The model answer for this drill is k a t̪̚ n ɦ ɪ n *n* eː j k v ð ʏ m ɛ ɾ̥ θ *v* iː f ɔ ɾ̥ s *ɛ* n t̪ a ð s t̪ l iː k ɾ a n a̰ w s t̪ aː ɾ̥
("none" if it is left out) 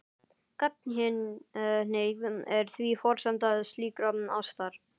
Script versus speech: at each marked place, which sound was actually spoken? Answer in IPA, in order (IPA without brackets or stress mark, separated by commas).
n, v, a